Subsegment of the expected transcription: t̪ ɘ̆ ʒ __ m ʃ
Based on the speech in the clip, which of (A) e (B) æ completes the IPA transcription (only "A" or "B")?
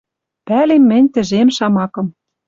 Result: A